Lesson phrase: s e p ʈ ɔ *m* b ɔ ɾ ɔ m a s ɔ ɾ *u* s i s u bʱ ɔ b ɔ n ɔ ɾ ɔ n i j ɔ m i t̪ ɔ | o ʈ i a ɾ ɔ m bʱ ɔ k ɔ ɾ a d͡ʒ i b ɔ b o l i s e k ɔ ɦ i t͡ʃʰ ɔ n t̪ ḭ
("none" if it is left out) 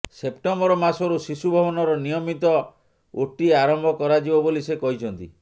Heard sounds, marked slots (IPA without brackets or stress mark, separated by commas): m, u